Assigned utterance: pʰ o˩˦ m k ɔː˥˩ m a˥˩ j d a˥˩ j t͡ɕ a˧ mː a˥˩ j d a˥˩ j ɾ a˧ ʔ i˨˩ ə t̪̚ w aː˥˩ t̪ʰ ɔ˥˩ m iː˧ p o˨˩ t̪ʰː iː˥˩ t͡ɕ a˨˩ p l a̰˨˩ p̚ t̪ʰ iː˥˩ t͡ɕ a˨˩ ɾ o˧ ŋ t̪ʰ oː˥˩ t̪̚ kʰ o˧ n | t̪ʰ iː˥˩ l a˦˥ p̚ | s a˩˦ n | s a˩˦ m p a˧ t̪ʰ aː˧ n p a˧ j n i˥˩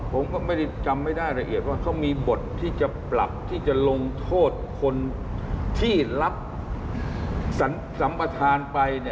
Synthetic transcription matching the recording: pʰ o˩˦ m k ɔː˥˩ m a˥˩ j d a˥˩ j t͡ɕ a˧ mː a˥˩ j d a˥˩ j ɾ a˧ ʔ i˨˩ ə t̪̚ w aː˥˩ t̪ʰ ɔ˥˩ m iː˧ b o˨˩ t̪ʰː iː˥˩ t͡ɕ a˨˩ p l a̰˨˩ p̚ t̪ʰ iː˥˩ t͡ɕ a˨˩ l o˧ ŋ t̪ʰ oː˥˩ t̪̚ kʰ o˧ n | t̪ʰ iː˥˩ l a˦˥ p̚ | s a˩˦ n | s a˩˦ m p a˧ t̪ʰ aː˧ n p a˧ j n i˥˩